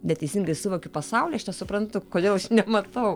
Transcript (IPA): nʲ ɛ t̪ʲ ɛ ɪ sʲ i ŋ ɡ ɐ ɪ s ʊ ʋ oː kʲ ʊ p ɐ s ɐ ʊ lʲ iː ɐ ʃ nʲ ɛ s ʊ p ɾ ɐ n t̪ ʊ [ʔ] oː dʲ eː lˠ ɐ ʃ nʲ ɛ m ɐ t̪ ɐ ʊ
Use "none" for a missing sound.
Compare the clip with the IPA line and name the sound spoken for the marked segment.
k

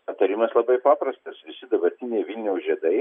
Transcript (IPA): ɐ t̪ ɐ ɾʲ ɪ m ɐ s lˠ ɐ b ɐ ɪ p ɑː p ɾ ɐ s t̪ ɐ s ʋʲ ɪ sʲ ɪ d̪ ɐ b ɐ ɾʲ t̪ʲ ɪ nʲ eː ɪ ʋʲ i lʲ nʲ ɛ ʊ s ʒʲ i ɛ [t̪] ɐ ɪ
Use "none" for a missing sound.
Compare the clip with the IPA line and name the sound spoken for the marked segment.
d̪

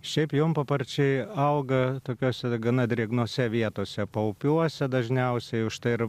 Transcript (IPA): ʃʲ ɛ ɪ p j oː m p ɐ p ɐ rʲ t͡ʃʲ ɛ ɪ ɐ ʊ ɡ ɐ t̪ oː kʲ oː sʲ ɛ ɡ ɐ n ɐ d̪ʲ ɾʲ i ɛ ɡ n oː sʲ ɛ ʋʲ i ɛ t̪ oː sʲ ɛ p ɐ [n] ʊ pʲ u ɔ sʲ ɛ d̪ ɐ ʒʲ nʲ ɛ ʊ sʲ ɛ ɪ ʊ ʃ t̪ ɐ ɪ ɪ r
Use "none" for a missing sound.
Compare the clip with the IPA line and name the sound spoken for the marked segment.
none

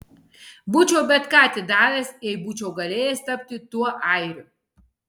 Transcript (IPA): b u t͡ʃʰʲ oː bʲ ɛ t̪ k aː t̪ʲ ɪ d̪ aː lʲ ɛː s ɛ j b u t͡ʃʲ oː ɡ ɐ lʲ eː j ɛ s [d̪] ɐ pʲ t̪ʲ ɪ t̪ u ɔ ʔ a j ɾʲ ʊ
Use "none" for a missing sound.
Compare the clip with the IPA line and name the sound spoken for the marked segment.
t̪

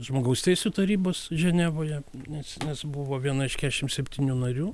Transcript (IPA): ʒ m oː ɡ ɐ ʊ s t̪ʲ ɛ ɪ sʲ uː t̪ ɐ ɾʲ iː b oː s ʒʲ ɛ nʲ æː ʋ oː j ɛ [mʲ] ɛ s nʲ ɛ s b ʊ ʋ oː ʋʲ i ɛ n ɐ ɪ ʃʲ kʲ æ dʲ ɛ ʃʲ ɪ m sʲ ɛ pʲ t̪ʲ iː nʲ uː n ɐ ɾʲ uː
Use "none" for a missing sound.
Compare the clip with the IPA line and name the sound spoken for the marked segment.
nʲ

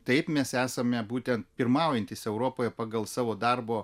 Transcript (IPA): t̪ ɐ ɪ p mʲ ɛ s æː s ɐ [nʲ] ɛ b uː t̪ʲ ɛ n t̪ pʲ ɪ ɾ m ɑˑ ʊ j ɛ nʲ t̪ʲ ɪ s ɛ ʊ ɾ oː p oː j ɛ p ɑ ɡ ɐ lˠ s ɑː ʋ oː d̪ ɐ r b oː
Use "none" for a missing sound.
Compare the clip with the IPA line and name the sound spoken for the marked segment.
mʲ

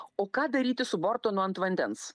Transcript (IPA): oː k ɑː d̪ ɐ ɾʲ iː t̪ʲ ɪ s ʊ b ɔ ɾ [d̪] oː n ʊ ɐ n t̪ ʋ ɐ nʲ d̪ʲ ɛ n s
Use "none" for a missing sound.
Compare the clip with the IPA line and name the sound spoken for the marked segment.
t̪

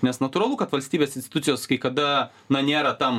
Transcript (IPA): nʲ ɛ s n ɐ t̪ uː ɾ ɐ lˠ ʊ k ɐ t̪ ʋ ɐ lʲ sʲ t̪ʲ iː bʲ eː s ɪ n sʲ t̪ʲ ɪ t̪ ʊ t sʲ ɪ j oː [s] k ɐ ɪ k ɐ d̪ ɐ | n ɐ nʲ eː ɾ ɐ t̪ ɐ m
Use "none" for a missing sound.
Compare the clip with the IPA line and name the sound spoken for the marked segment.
s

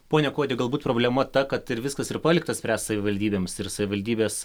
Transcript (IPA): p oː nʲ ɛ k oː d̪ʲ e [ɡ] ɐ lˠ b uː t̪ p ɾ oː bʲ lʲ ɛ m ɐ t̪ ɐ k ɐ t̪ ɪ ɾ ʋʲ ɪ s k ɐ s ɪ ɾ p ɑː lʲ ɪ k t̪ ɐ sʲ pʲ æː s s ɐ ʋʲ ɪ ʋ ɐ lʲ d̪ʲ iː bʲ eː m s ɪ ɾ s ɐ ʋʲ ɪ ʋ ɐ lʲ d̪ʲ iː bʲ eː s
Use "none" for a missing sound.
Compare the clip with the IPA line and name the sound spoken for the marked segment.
ɡ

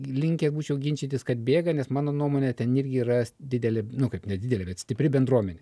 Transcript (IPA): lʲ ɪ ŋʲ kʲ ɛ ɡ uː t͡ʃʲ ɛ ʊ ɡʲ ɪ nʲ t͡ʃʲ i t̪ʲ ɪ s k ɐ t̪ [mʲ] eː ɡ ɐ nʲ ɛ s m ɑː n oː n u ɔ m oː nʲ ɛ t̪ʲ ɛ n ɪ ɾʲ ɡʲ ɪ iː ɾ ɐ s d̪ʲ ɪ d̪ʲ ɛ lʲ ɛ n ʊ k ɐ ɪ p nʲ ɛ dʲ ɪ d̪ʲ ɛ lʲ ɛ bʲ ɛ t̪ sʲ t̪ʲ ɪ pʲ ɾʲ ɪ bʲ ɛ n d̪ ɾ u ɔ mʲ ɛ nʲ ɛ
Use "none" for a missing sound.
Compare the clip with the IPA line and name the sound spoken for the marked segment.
bʲ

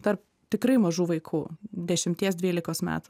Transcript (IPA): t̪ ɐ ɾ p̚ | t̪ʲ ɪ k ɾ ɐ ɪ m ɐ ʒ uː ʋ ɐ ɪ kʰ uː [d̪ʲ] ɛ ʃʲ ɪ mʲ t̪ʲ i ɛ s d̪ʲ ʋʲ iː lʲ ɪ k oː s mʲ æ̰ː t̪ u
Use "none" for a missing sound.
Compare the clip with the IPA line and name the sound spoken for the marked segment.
d̪ʲ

